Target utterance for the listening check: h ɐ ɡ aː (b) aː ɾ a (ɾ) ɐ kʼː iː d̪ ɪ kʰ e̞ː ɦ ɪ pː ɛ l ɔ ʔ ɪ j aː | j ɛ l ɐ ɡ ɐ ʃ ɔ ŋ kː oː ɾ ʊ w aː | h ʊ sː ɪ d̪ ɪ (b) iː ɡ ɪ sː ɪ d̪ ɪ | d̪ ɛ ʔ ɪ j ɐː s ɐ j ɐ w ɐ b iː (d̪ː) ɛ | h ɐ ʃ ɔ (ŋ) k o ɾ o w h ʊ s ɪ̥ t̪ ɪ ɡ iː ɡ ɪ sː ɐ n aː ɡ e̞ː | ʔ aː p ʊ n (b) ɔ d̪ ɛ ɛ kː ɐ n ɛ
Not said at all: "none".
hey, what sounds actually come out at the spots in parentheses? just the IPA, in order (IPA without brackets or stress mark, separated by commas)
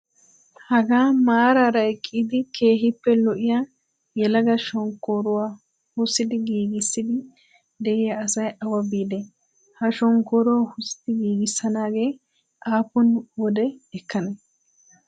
m, ɾ, ɡ, d̪, ŋ, w